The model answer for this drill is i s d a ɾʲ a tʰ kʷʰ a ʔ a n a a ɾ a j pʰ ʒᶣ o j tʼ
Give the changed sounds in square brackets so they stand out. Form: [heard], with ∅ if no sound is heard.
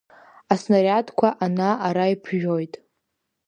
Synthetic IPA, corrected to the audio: [a] s [n] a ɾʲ a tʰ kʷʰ a ʔ a n a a ɾ a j pʰ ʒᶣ o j tʼ

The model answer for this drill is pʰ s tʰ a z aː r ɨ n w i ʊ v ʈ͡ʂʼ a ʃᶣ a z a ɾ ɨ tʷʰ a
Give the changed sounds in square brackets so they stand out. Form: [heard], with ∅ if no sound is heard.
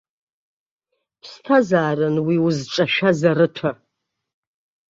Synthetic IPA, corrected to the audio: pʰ s tʰ a z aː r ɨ n w i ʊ [z] ʈ͡ʂʼ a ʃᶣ a z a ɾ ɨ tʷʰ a

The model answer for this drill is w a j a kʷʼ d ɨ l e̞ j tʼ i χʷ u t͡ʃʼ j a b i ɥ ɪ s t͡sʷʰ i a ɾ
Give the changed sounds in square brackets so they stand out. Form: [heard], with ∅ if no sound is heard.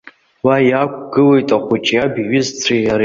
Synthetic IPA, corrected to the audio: w a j a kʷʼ [ɡ] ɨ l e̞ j tʼ [a] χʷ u t͡ʃʼ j a b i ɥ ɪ [z] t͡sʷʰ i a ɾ

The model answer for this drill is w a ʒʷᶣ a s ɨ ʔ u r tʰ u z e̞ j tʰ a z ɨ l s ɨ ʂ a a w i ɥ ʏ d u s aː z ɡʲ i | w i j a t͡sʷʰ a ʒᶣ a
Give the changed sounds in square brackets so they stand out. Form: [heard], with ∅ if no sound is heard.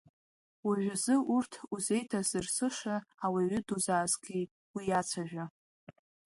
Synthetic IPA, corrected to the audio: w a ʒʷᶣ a [z] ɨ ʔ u r tʰ u z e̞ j tʰ a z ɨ [r] s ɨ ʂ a a w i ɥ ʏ d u [z] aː z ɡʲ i | w i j a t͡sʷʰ a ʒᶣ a

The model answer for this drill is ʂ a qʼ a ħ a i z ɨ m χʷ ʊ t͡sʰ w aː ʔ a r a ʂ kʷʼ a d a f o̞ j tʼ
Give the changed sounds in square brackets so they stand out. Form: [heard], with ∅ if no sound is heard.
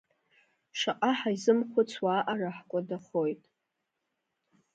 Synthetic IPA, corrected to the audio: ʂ a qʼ a ħ a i z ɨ m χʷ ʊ t͡sʰ w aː ʔ a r a [ħ] kʷʼ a d a [χ] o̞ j tʼ

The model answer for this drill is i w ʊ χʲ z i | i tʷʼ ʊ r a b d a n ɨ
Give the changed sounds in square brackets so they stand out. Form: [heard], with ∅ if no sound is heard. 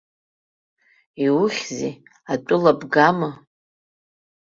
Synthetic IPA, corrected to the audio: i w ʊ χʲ z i | [a] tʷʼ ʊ [l] a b [ɡ] a [m] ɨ

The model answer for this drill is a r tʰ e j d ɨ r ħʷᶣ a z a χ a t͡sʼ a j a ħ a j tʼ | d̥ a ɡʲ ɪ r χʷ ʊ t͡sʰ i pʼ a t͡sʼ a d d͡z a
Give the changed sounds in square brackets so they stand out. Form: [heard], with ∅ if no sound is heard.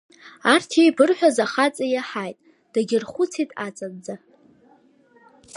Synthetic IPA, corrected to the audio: a r tʰ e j [b] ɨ r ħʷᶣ a z a χ a t͡sʼ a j a ħ a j tʼ | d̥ a ɡʲ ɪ r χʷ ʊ t͡sʰ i [tʼ] a t͡sʼ a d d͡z a

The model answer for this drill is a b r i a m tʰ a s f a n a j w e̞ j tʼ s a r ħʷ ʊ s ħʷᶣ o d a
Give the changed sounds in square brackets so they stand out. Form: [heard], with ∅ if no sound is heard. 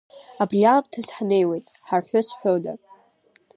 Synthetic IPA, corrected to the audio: a b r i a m tʰ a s [ħ] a n [e] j w e̞ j tʼ [ħ] a r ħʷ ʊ s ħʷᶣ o d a

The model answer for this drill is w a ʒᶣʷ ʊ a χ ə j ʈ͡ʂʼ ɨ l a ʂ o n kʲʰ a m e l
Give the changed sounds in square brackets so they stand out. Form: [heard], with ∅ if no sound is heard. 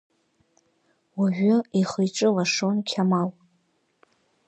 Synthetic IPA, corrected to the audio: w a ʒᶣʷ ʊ [i] χ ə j ʈ͡ʂʼ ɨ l a ʂ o n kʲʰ a m [a] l

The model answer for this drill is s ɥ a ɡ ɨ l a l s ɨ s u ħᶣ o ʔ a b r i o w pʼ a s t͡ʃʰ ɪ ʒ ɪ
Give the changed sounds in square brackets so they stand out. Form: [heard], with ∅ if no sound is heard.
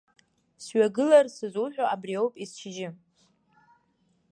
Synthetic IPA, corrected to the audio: s ɥ a ɡ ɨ l a [r] s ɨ [z] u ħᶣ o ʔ a b r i o w pʼ [i] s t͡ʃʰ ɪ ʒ ɪ

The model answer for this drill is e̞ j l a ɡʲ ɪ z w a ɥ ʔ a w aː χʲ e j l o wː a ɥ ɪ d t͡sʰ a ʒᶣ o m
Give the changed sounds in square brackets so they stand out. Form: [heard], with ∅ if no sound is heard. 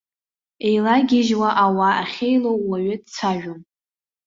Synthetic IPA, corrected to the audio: e̞ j l a ɡʲ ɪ [ʒ] w a [∅] ʔ a w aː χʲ e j l o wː a ɥ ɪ d t͡sʰ a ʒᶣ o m

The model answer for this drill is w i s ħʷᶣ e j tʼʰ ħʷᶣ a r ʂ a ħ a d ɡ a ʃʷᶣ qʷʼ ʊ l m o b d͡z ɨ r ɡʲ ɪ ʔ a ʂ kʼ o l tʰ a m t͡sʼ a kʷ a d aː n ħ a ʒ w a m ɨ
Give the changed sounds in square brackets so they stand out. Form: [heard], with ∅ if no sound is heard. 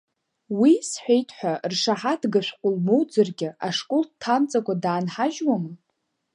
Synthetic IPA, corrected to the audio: w i s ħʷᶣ e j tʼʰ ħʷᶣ a r ʂ a ħ a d ɡ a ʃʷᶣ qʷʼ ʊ l m o [w] d͡z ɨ r ɡʲ ɪ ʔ a ʂ kʼ o l tʰ a m t͡sʼ a kʷ a d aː n ħ a ʒ w a m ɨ

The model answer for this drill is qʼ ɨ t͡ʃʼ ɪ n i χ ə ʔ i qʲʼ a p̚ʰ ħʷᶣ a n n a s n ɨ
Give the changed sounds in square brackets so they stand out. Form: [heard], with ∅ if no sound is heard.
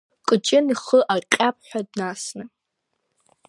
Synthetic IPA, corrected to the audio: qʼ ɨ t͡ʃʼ ɪ n i χ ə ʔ [a] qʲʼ a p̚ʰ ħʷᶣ a [d] n a s n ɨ

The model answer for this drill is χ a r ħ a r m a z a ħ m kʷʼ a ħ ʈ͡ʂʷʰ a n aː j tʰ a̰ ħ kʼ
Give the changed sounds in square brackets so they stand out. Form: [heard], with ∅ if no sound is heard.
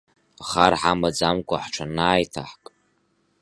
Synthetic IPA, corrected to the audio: χ a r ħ a [∅] m a [d͡z] a [∅] m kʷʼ a ħ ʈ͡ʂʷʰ a n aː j tʰ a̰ ħ kʼ

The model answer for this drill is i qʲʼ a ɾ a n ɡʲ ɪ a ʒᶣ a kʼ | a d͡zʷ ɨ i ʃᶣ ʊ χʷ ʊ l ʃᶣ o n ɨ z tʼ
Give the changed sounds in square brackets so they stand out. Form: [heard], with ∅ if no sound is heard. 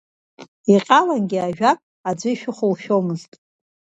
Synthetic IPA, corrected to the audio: i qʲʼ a [l] a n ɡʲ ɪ a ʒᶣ a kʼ | a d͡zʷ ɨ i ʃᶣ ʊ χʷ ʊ l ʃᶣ o [m] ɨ z tʼ

